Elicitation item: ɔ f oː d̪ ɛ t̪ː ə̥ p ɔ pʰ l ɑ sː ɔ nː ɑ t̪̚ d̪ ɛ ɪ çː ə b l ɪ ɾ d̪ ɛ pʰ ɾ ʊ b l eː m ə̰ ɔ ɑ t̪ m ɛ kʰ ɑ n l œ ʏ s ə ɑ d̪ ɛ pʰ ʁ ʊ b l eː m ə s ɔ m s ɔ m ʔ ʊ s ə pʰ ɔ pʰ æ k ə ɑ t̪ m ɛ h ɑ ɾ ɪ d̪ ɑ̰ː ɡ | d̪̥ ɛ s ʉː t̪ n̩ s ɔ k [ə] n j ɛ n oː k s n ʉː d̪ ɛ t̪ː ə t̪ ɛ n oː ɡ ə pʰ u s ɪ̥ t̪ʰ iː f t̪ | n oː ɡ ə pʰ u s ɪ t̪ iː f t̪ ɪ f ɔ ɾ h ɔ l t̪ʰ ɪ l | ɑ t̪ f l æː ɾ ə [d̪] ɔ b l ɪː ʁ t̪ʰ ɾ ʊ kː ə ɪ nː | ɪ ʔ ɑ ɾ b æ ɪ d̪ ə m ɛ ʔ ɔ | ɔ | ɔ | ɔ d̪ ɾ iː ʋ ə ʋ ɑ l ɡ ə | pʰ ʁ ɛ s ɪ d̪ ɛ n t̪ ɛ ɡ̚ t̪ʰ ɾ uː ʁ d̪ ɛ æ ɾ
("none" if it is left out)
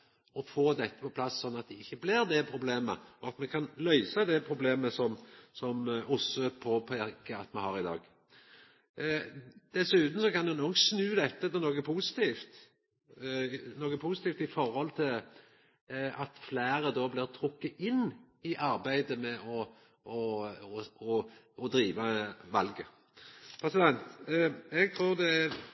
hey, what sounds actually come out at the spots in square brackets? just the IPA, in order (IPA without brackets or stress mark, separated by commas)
ɑ, d̪